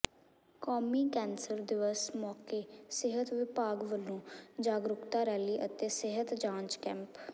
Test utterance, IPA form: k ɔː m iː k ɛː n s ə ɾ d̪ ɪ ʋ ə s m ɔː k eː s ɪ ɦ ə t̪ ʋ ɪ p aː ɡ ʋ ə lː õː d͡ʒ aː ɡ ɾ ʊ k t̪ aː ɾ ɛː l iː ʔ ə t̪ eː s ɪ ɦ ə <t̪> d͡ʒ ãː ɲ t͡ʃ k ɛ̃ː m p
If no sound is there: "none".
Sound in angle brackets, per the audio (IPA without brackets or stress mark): t̪